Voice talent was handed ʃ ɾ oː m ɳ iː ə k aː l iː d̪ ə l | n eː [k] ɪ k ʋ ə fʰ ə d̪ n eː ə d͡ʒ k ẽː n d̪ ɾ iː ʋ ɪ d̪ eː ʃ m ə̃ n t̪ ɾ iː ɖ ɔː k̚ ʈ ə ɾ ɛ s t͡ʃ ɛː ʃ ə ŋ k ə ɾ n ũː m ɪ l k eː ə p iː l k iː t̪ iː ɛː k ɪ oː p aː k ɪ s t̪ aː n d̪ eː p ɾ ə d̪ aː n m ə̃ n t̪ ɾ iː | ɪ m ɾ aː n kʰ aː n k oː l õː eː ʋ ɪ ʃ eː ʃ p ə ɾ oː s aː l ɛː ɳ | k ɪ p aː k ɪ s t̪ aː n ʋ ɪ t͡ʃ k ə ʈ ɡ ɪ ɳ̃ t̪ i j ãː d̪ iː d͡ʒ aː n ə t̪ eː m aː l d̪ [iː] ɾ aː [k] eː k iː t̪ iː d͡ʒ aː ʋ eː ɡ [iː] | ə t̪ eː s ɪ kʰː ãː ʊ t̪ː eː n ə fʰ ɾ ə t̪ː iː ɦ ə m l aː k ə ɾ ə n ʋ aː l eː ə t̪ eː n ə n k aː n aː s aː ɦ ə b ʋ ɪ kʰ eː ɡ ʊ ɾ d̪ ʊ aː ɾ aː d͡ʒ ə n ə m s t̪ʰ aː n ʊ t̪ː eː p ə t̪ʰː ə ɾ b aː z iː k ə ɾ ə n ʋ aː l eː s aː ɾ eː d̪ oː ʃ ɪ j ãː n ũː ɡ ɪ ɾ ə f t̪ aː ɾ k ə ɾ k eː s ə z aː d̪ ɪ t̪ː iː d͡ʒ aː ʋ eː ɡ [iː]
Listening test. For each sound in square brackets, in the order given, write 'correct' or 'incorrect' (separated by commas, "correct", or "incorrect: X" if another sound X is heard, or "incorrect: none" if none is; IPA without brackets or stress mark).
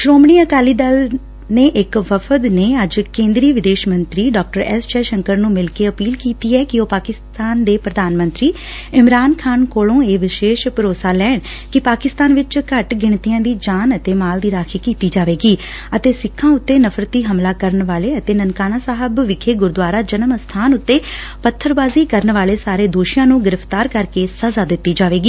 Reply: incorrect: ʔ, correct, incorrect: kʰ, correct, correct